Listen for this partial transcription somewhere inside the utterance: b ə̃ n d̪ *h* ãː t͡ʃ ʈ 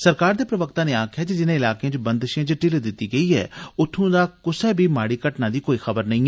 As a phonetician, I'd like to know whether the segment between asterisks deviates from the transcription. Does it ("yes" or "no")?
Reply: yes